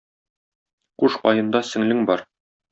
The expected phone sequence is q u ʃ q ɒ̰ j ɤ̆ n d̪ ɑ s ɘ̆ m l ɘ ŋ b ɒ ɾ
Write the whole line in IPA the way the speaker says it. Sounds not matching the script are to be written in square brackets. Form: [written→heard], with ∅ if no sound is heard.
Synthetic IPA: q u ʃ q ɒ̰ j ɤ̆ n d̪ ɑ s ɘ̆ [m→ŋ] l ɘ ŋ b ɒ ɾ